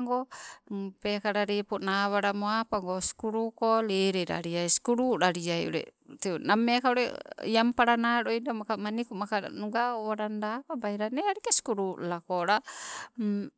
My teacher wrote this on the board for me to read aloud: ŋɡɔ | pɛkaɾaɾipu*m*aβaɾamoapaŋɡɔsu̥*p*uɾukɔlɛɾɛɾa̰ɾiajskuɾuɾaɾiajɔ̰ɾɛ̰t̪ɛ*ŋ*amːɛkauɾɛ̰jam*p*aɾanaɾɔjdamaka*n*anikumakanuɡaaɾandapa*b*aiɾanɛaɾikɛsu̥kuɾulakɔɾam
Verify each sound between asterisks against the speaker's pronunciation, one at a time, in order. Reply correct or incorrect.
incorrect: n, incorrect: k, incorrect: n, correct, incorrect: m, correct

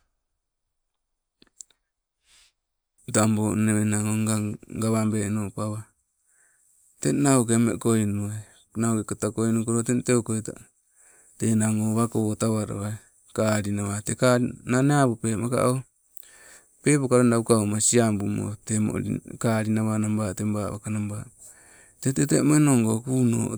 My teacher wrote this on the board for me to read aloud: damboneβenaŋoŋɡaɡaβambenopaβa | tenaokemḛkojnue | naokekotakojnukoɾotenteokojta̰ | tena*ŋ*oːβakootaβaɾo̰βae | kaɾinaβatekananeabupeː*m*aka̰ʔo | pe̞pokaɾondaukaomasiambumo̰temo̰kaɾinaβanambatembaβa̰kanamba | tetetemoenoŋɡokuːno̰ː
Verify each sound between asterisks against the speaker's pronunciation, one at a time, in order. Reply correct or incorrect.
correct, correct

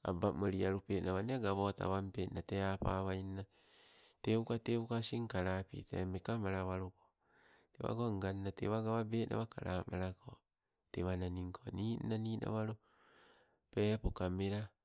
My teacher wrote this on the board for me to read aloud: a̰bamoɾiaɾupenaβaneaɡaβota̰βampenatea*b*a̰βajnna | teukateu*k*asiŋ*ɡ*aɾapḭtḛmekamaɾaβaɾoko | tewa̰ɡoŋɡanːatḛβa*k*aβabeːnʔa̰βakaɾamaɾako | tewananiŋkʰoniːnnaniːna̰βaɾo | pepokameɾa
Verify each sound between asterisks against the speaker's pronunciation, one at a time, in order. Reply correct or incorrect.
incorrect: p, correct, incorrect: k, incorrect: ɡ

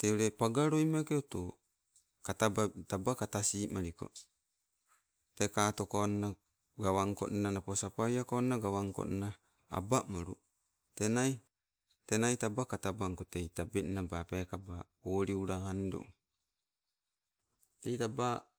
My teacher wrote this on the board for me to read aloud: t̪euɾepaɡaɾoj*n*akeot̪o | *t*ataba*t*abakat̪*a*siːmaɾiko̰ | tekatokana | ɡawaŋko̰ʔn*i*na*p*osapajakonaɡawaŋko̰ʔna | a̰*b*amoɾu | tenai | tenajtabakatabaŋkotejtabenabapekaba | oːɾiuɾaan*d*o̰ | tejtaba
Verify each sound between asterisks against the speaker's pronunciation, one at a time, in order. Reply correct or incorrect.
incorrect: m, incorrect: k, correct, correct, incorrect: a, correct, correct, correct

